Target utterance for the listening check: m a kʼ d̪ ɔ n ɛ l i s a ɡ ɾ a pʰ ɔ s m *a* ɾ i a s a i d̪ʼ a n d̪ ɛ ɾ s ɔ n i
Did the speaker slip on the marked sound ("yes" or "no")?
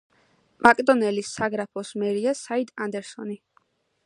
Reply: yes